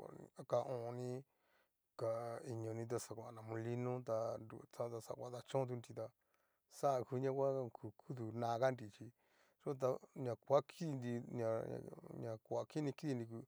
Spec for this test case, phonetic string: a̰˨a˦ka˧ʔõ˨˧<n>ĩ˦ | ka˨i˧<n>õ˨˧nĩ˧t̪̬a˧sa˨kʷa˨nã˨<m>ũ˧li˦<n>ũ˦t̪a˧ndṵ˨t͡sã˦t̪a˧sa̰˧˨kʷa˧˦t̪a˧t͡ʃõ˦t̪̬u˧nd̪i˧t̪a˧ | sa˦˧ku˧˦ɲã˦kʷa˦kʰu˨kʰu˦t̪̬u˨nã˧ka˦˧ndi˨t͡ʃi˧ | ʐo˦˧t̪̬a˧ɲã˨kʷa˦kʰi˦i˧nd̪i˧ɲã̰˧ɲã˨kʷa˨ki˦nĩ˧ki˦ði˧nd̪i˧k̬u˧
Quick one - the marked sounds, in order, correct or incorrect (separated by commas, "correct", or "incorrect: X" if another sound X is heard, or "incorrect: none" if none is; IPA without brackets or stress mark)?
correct, incorrect: ɲ, correct, correct